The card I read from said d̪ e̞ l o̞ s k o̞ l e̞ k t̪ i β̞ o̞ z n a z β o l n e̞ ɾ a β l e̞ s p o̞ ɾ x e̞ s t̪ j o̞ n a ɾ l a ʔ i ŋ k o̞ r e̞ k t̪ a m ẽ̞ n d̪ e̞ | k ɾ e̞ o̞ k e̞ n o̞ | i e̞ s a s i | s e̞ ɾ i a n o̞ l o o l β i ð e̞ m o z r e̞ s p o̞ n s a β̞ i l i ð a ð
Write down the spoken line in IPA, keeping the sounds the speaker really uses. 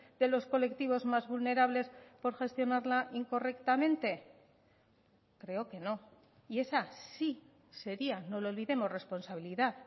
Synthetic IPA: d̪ e̞ l o̞ s k o̞ l e̞ k t̪ i β̞ o̞ z m a z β u l n e̞ ɾ a β l e̞ s p o̞ ɾ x e̞ s t̪ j o̞ n a ɾ l a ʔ i ŋ k o̞ r e̞ k t̪ a m ẽ̞ n t̪ e̞ | k ɾ e̞ o̞ k e̞ n o̞ | i e̞ s a s i | s e̞ ɾ i a n o̞ l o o l β i ð e̞ m o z r e̞ s p o̞ n s a β̞ i l i ð a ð